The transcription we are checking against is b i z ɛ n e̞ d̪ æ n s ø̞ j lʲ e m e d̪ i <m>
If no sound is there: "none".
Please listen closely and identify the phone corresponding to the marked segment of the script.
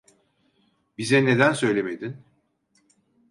n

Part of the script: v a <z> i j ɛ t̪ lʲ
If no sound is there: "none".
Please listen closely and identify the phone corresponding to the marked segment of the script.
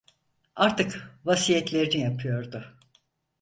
s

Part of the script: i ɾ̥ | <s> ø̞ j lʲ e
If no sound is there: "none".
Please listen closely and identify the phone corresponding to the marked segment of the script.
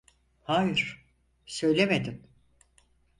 s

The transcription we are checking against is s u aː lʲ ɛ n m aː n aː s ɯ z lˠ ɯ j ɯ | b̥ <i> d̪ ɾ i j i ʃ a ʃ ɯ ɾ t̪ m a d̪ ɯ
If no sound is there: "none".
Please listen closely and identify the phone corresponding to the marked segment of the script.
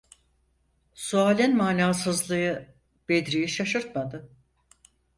e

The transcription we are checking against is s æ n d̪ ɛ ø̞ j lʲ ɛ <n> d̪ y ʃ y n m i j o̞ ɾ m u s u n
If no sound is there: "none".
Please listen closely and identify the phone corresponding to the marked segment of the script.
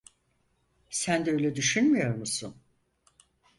none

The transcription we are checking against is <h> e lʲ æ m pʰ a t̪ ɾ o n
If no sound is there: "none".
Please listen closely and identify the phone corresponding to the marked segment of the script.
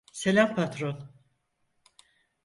s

